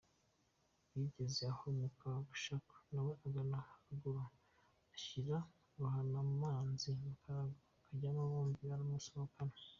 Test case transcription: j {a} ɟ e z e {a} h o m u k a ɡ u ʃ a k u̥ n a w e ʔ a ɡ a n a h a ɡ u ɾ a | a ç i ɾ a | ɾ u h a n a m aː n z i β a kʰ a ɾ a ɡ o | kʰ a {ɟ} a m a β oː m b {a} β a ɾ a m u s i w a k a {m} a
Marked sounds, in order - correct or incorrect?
incorrect: i, correct, correct, incorrect: i, incorrect: n

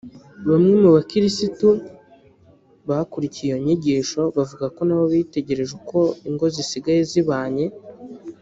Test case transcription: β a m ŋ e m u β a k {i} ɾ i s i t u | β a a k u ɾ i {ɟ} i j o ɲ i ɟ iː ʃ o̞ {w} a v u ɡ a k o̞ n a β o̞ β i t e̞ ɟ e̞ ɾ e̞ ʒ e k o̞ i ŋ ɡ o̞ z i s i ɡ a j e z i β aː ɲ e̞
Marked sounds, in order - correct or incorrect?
correct, incorrect: c, incorrect: β

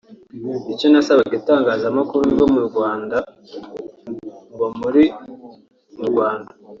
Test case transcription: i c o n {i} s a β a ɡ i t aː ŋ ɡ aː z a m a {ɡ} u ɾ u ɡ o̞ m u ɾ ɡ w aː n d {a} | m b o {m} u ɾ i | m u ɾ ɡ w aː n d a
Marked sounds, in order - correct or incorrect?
incorrect: a, incorrect: k, correct, correct

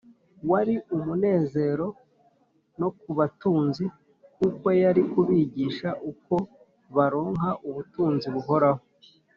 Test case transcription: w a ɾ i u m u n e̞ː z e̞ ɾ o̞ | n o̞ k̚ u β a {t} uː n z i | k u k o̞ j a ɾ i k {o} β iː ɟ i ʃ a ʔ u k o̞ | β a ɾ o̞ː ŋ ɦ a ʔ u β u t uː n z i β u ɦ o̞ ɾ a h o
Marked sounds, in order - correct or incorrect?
correct, incorrect: u

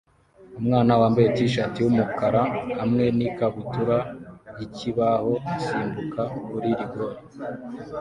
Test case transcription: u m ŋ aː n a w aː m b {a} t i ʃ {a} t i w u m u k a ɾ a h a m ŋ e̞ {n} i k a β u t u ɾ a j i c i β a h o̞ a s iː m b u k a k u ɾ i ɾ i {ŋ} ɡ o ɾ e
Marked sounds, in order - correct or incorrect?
incorrect: e, correct, correct, incorrect: none

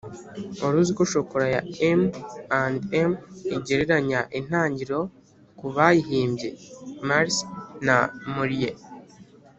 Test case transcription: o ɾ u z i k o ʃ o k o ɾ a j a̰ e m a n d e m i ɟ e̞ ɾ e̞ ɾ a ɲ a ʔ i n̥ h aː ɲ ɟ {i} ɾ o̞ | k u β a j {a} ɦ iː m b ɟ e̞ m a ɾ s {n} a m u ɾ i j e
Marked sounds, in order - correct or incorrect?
correct, incorrect: i, correct

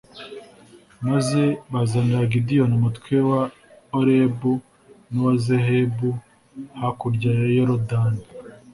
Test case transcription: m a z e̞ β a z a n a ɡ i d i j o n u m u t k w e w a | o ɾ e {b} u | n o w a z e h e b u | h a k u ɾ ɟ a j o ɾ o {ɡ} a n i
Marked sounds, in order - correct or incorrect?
correct, incorrect: d

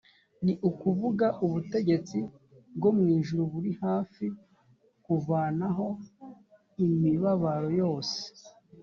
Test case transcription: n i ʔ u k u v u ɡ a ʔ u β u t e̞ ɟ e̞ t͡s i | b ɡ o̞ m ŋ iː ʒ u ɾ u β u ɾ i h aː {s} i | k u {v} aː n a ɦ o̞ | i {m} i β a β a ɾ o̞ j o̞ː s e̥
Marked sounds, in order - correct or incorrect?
incorrect: f, correct, correct

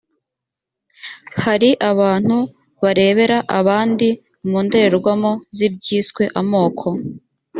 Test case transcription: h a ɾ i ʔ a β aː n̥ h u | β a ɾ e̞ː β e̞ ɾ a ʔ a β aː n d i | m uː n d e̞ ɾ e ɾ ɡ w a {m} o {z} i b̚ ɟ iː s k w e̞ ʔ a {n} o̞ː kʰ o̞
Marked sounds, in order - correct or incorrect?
correct, correct, incorrect: m

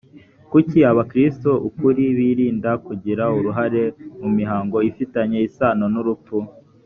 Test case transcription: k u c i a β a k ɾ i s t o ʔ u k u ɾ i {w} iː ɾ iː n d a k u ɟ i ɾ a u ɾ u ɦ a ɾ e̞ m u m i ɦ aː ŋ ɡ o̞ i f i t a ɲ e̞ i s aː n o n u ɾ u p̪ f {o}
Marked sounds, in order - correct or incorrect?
incorrect: β, incorrect: u

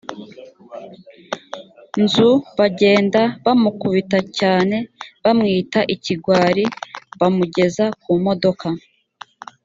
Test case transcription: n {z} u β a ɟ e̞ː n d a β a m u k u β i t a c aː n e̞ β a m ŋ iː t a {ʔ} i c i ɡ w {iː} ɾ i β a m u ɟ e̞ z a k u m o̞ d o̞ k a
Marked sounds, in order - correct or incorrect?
correct, correct, incorrect: aː

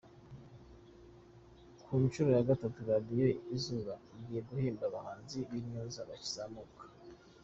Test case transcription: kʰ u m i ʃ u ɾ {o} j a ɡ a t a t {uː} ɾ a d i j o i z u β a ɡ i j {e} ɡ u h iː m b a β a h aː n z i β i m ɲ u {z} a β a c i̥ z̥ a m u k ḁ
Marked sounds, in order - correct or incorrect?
correct, incorrect: u, correct, correct

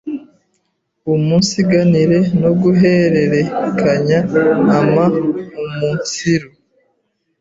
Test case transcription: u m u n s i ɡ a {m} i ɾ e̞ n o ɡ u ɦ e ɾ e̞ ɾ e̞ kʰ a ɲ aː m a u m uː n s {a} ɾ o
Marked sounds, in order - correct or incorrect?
incorrect: n, incorrect: i

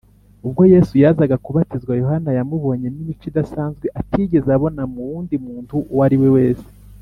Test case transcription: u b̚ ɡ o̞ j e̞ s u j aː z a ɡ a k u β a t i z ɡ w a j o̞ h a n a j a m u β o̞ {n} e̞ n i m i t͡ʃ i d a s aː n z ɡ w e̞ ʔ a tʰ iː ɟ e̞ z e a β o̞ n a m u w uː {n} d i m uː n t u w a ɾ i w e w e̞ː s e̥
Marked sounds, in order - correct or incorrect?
incorrect: ɲ, correct

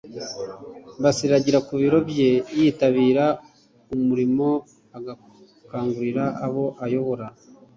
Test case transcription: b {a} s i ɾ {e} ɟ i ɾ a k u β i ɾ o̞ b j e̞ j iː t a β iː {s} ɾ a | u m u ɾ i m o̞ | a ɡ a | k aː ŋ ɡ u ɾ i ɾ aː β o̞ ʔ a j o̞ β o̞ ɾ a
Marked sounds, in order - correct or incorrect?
correct, incorrect: a, incorrect: none

